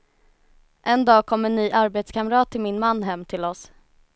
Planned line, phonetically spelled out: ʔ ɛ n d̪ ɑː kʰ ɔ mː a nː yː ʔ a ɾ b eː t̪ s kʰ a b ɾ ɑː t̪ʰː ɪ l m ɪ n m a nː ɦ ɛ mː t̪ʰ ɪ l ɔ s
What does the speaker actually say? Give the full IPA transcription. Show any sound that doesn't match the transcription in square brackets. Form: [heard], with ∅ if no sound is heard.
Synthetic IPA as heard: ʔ ɛ n d̪ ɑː kʰ ɔ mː [ɛ] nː yː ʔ a ɾ b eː t̪ s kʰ a [m] ɾ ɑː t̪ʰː ɪ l m ɪ n m a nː ɦ ɛ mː t̪ʰ ɪ l ɔ s

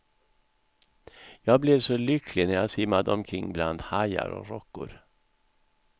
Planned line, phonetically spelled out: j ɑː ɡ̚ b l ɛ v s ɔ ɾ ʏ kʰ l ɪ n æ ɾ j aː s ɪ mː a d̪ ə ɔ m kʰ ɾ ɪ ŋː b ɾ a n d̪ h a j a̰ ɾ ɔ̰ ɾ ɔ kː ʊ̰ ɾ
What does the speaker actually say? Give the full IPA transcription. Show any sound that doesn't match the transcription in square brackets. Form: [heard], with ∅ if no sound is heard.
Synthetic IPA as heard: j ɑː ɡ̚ b l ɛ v s ɔ [l] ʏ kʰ l ɪ n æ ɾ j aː s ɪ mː a d̪ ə ɔ m kʰ ɾ ɪ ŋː b [l] a n d̪ h a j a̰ ɾ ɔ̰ ɾ ɔ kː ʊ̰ ɾ

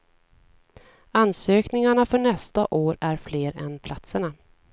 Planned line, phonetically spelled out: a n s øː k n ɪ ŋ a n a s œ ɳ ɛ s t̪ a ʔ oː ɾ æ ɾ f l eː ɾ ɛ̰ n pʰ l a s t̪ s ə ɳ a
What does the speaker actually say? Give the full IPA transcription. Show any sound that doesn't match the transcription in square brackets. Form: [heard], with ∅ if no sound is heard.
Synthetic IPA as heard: a n s øː k n ɪ ŋ a [ɳ] a [f] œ ɳ ɛ s t̪ a ʔ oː ɾ æ ɾ f l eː ɾ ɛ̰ n pʰ l a [∅] t̪ s ə ɳ a

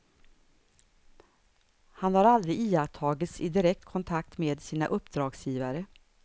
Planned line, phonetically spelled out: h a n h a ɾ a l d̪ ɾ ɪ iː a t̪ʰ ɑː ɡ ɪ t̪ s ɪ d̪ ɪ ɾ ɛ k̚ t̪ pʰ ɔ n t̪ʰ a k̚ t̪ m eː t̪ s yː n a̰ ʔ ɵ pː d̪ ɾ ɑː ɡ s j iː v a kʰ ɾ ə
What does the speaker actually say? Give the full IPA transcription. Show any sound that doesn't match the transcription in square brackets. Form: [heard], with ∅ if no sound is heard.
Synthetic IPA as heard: h a n h a ɾ a l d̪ ɾ ɪ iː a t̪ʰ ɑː ɡ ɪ t̪ s ɪ d̪ ɪ ɾ ɛ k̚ t̪ [kʰ] ɔ n t̪ʰ a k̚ t̪ m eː [d̪] s [iː] n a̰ ʔ ɵ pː d̪ ɾ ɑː ɡ s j iː v a [∅] ɾ ə

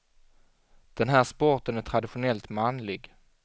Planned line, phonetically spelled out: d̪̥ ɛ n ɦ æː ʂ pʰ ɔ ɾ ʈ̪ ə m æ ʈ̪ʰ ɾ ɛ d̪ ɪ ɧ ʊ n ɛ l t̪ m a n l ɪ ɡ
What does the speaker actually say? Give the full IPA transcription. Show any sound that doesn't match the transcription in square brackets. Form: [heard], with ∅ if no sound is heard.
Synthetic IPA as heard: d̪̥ ɛ n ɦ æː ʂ [p] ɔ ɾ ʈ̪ ə [n] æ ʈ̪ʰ ɾ [a] d̪ ɪ ɧ ʊ n ɛ l t̪ m a n l ɪ ɡ

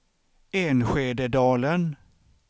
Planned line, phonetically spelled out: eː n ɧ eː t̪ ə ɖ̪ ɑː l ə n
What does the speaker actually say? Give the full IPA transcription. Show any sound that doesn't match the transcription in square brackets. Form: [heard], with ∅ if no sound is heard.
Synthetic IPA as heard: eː n ɧ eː [d̪] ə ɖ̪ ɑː l ə n

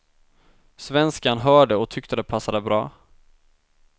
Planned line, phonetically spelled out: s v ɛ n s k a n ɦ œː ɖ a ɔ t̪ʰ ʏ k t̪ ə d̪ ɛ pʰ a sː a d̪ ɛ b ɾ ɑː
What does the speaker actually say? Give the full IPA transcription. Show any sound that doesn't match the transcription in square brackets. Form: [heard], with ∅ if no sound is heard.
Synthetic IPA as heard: s v ɛ n s k a n ɦ œː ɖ [ə] ɔ t̪ʰ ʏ k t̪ ə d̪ ɛ pʰ a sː a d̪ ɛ b ɾ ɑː

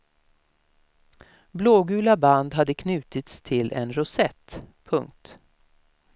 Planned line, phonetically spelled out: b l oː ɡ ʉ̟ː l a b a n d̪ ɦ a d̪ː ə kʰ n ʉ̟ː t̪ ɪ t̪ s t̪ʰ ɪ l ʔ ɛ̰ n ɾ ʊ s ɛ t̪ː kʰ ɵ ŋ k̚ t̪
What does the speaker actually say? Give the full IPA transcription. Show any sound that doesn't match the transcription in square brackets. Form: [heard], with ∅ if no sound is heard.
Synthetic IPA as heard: b l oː ɡ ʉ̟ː l a b a n d̪ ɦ a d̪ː ə kʰ n ʉ̟ː t̪ ɪ t̪ s t̪ʰ ɪ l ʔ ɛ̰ n ɾ ʊ s ɛ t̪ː [pʰ] ɵ ŋ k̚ t̪

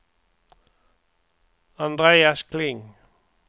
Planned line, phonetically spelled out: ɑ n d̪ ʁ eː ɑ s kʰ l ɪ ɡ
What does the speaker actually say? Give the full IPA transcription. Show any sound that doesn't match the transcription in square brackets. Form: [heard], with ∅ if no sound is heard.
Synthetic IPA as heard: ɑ n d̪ ʁ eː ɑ s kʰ l ɪ [ŋ]

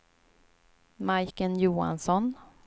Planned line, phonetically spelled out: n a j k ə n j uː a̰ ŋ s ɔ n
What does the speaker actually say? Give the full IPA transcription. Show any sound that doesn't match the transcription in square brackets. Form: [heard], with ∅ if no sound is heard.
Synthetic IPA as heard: [m] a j k ə n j uː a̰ [n] s ɔ n

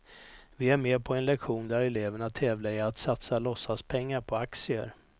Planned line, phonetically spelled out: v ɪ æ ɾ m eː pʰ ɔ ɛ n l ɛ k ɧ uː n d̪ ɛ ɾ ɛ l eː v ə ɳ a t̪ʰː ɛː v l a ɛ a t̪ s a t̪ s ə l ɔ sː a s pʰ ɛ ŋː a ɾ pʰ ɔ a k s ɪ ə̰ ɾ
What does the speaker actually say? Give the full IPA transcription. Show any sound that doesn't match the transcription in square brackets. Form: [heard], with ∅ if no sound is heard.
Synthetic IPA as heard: v ɪ æ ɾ m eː pʰ ɔ ɛ n l ɛ k ɧ uː n d̪ [æ] ɾ ɛ l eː v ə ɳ a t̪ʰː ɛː v l a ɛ a t̪ s a t̪ s [a] l ɔ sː a s pʰ ɛ ŋː a ɾ pʰ ɔ a k s ɪ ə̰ ɾ

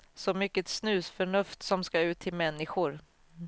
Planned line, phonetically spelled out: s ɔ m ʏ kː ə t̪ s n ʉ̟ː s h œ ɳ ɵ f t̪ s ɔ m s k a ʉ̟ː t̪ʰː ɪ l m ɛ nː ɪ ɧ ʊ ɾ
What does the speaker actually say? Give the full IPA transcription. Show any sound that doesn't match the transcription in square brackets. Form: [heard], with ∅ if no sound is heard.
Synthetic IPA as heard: s ɔ m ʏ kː ə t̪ s n ʉ̟ː s [f] œ ɳ ɵ f t̪ s ɔ m s k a ʉ̟ː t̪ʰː ɪ l m ɛ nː ɪ ɧ ʊ ɾ

